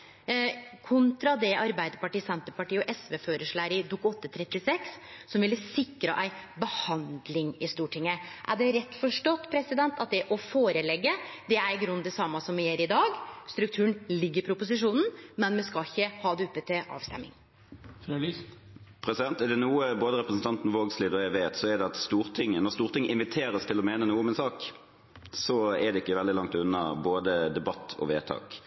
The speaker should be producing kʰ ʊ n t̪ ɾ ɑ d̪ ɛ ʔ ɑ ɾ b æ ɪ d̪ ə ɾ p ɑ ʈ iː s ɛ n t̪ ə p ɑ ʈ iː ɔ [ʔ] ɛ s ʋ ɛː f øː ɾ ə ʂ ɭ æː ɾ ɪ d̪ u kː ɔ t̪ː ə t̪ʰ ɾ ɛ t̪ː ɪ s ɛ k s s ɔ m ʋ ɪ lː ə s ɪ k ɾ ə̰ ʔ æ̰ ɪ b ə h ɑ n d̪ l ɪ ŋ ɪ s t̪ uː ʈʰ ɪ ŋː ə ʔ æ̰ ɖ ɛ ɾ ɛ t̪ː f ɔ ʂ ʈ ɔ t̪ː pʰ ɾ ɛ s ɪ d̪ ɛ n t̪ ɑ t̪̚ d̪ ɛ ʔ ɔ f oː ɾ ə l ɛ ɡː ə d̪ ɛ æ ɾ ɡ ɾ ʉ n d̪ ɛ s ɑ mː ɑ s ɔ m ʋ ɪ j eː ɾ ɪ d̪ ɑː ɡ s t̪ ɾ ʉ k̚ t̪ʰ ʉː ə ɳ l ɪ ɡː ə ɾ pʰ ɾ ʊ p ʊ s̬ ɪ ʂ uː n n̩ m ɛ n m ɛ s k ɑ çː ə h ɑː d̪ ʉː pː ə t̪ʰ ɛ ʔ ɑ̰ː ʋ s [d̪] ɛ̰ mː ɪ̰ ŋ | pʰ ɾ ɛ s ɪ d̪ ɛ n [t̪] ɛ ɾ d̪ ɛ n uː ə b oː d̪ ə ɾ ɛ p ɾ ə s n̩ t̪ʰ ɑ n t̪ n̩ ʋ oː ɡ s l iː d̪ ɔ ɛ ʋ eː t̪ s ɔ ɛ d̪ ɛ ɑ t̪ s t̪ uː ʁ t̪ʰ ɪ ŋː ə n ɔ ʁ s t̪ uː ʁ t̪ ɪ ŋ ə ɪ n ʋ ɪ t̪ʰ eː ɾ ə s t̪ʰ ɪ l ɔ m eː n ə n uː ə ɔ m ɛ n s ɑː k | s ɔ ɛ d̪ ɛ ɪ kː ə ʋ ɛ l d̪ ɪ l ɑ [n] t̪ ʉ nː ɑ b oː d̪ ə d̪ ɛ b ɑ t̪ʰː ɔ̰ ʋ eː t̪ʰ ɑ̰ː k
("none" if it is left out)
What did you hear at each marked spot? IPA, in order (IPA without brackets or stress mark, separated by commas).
ʔ, t̪, t̪, ŋ